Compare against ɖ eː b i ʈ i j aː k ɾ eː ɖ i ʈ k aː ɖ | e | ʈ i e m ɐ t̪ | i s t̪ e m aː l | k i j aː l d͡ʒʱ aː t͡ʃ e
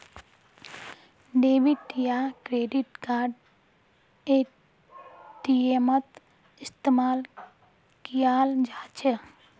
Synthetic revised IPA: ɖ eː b i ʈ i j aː k ɾ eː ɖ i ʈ k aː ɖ | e | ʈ i e m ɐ t̪ | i s t̪ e m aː l | k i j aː l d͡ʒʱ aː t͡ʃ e